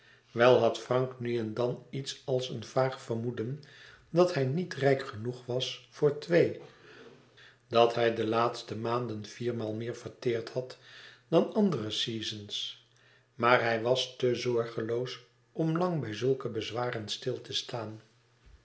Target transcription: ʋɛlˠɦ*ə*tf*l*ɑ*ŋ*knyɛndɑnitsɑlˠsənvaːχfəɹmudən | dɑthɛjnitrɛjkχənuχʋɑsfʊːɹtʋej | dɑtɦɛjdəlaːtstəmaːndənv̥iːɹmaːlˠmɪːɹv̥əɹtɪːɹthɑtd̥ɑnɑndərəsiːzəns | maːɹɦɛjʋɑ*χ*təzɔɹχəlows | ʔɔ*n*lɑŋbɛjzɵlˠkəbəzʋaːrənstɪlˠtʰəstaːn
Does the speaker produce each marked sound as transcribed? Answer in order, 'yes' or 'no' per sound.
no, no, yes, no, no

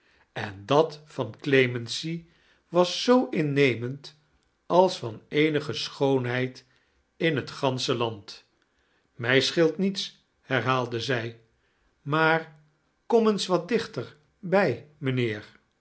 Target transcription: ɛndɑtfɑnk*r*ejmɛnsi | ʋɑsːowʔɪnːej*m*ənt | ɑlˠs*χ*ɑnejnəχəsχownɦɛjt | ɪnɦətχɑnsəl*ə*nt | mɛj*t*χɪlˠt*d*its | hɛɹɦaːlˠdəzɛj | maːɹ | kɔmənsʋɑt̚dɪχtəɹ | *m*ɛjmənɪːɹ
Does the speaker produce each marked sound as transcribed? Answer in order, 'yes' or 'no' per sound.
no, yes, no, no, no, no, no

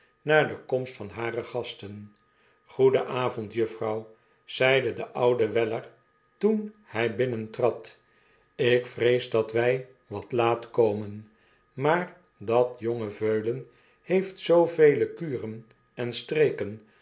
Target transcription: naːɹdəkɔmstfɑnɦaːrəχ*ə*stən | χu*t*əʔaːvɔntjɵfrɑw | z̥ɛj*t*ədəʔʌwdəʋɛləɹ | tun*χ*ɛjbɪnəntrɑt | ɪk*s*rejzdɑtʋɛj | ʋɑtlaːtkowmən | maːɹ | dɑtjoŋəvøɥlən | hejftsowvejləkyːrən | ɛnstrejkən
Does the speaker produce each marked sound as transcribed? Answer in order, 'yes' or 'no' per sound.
no, no, no, no, no

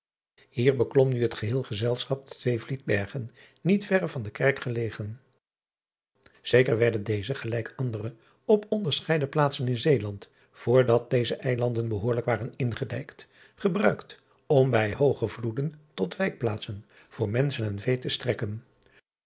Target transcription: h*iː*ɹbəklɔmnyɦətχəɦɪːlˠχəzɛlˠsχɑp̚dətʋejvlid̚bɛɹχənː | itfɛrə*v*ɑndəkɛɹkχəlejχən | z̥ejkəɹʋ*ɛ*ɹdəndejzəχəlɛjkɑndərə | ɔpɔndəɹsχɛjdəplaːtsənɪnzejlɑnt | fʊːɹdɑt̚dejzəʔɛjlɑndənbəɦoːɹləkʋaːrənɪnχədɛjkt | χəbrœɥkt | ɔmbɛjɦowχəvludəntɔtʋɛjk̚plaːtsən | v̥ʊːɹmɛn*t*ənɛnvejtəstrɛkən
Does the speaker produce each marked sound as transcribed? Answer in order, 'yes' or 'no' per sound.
yes, yes, yes, no

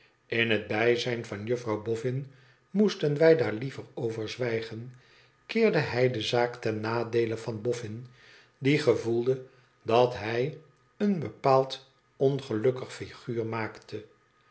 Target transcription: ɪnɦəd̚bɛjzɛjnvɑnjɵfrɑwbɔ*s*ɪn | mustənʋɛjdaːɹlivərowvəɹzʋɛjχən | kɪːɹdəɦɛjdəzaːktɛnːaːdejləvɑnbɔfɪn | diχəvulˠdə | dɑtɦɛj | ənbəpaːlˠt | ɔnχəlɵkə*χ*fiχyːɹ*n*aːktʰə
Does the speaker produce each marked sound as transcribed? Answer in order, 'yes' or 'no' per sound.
no, yes, no

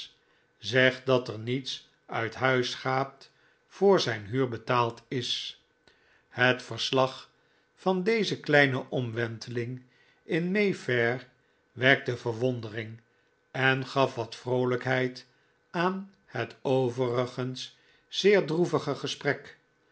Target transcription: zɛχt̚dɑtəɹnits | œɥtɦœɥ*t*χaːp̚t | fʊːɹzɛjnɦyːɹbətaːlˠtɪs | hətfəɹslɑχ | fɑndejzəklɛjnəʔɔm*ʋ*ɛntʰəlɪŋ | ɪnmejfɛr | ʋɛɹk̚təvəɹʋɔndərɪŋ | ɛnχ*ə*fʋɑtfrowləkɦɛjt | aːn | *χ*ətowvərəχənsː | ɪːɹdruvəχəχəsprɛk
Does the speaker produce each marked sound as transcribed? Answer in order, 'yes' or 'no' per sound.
no, yes, no, no

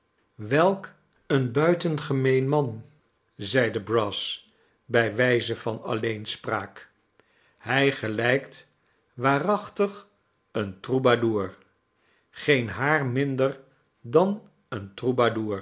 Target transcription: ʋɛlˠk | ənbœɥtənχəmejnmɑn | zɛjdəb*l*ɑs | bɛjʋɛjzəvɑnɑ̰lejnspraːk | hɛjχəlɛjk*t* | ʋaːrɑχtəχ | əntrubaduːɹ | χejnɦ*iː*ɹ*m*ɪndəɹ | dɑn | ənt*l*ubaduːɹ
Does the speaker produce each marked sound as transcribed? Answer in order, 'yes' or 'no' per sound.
no, yes, no, yes, no

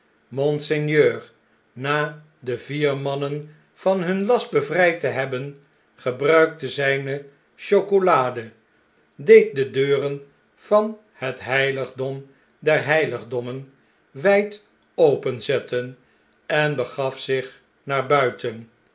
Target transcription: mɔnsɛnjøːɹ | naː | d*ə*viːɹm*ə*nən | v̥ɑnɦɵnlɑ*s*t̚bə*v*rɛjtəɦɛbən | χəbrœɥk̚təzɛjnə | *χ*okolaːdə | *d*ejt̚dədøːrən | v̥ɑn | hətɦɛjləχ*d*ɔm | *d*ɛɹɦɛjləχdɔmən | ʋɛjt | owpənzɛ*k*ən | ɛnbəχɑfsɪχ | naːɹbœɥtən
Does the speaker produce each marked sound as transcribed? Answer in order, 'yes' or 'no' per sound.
yes, no, yes, yes, no, yes, yes, yes, no

